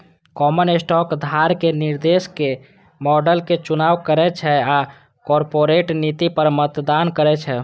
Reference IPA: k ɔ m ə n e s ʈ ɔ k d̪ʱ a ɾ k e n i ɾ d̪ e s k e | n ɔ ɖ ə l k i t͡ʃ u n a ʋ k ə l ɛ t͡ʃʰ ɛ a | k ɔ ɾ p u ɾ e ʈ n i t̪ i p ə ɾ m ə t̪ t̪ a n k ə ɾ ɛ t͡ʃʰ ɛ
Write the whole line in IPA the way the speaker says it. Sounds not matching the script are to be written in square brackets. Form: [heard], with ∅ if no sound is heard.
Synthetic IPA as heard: k ɔ m ə n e s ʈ ɔ k d̪ʱ a ɾ k e n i ɾ d̪ e s k e | [m] ɔ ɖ ə l k [e] t͡ʃ u n a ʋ k ə [ɾ] ɛ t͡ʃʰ ɛ a | k ɔ ɾ p [o] ɾ e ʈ n i t̪ i p ə ɾ m ə t̪ [d̪] a n k ə ɾ ɛ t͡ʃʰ ɛ